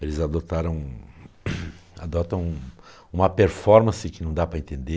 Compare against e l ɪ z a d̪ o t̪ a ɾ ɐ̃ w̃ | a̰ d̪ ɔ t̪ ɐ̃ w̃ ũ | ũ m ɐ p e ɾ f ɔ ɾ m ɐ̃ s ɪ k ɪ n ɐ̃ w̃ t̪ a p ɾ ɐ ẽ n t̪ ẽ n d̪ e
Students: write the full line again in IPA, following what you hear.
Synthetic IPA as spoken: e l ɪ z a d̪ o t̪ a ɾ ɐ̃ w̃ | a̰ d̪ ɔ t̪ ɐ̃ w̃ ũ | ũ m ɐ p e ɾ f ɔ ɾ m ɐ̃ s ɪ k ɪ n ɐ̃ w̃ d̪ a p ɾ ɐ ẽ n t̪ ẽ n d̪ e